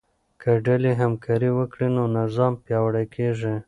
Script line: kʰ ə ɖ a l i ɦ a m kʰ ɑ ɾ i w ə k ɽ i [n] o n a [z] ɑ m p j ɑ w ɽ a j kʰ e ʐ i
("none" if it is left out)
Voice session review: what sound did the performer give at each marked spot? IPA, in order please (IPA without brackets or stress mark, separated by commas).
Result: n, z